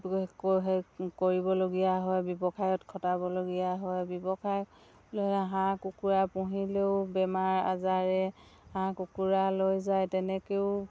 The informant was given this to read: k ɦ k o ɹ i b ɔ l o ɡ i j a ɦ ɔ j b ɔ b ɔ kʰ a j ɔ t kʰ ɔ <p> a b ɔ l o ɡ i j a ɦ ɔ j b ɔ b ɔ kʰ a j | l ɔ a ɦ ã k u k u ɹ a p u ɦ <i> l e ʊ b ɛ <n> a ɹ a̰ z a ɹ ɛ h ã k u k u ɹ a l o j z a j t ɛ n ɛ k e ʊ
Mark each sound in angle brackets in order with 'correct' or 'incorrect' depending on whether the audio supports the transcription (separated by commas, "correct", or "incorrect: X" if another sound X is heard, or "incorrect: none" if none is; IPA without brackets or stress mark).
incorrect: t, correct, incorrect: m